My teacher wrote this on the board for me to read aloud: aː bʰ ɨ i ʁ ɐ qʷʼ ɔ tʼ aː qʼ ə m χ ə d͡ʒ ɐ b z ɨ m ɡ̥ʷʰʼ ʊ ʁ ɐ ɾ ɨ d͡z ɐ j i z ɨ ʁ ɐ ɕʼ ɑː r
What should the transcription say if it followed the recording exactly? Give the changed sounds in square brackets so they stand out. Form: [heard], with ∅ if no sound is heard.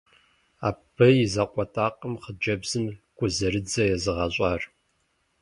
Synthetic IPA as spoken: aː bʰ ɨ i [z] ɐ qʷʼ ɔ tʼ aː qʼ ə m χ ə d͡ʒ ɐ b z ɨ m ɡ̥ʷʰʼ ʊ [z] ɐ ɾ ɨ d͡z ɐ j [ɛ] z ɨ ʁ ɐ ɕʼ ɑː r